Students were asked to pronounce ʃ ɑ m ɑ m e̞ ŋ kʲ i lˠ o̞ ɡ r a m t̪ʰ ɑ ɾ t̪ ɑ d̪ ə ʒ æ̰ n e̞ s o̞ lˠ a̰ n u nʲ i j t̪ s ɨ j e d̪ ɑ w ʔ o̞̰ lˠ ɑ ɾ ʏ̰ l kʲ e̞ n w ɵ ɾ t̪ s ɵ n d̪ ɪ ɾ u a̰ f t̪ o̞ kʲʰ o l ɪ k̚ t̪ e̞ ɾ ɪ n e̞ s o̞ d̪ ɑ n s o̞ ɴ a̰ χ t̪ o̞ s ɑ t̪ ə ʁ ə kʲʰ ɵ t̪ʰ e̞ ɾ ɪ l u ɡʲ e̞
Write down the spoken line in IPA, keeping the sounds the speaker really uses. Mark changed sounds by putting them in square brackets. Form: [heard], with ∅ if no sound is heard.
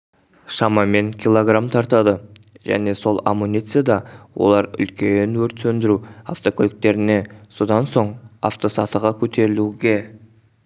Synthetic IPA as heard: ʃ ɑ m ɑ m e̞ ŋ kʲ i lˠ o̞ ɡ r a m t̪ʰ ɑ ɾ t̪ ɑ d̪ ə ʒ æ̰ n e̞ s o̞ lˠ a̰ [m] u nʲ i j t̪ s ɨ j [a] d̪ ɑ w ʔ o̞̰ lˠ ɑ ɾ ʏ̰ l kʲ e̞ n w ɵ ɾ t̪ s ɵ n d̪ ɪ ɾ u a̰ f t̪ o̞ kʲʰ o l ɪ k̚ t̪ e̞ ɾ ɪ n e̞ s o̞ d̪ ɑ n s o̞ ɴ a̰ [f] t̪ o̞ s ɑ t̪ ə ʁ [ɑ] kʲʰ ɵ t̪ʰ e̞ ɾ ɪ l u ɡʲ e̞